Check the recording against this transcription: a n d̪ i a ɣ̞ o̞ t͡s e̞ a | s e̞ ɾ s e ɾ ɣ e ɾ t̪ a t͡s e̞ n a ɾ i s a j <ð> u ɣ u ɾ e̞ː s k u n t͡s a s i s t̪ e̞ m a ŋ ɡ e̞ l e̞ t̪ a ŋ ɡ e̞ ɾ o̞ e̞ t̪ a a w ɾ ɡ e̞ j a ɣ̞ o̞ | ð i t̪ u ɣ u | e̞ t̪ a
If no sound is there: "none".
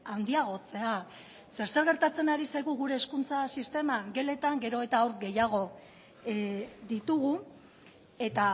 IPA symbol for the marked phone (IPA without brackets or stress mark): ɣ